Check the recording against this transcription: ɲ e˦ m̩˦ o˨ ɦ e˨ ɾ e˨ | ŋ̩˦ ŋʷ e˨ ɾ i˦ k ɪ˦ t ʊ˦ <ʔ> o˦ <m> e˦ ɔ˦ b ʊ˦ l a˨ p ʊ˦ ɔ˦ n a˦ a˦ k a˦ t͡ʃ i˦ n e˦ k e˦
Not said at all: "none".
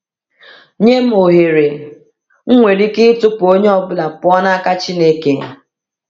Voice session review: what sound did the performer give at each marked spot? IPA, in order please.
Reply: p, ɲ

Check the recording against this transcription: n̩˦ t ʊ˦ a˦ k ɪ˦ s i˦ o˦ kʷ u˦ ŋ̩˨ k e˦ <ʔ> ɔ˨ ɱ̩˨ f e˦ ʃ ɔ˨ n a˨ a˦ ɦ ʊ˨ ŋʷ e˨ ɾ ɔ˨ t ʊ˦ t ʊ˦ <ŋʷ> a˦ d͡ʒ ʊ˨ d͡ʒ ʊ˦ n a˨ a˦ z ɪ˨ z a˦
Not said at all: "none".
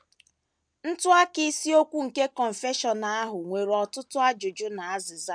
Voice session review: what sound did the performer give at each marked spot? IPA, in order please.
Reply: k, none

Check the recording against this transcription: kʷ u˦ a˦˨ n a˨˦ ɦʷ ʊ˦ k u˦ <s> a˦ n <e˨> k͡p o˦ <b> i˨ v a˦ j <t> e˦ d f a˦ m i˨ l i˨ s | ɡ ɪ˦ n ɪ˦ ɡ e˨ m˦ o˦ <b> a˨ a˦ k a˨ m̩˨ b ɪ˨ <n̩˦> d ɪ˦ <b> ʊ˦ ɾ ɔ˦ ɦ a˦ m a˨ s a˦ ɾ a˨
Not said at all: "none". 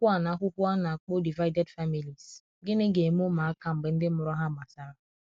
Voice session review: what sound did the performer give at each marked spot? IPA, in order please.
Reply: none, a˨, d, d, m, n̩˦, m

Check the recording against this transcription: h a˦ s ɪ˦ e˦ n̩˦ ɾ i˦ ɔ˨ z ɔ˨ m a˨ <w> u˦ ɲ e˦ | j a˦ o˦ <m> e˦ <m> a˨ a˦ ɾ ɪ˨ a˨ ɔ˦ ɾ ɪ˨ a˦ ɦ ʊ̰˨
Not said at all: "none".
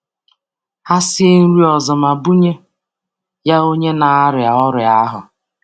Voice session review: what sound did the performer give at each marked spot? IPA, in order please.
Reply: b, ɲ, n

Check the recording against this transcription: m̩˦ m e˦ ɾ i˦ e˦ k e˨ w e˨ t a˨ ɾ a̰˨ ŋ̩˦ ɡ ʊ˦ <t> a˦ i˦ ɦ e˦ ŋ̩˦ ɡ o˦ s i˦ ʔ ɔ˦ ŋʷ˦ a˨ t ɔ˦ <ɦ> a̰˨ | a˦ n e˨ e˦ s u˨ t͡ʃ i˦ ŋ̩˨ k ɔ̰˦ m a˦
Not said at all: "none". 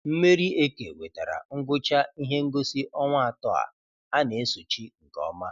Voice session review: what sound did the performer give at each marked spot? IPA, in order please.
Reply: t͡ʃ, none

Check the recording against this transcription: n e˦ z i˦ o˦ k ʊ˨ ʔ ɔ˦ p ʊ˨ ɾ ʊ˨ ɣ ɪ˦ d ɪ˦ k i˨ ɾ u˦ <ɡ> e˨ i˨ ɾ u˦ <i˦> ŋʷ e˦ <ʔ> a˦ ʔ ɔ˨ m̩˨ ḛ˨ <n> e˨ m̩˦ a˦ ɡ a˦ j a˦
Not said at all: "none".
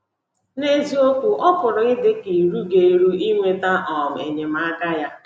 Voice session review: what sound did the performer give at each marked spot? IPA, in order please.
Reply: ɡ, i˦, t, ɲ

